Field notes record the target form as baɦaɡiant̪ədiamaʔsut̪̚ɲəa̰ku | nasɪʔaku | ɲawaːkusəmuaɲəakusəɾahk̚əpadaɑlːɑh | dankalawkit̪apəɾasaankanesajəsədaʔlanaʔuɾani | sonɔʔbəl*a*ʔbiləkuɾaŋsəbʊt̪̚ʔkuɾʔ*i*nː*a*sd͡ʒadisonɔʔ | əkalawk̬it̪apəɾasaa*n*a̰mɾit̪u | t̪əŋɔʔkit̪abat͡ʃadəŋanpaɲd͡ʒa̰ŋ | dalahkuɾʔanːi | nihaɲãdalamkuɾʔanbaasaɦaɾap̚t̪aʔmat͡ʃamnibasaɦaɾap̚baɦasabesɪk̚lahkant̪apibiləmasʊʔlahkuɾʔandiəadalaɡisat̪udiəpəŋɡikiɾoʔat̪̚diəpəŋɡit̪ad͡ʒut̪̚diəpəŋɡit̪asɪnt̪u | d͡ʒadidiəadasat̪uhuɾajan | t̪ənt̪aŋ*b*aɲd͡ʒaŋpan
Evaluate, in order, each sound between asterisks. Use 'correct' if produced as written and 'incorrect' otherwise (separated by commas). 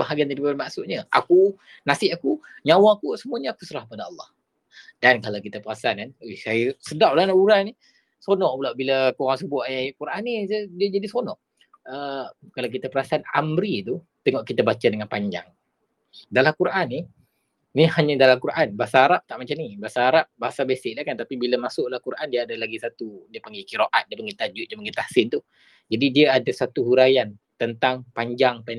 correct, incorrect, incorrect, correct, incorrect